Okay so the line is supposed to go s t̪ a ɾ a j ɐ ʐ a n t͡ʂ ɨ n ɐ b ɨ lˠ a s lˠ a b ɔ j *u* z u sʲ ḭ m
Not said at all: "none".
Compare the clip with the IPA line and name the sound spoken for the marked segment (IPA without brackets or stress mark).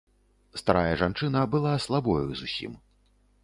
u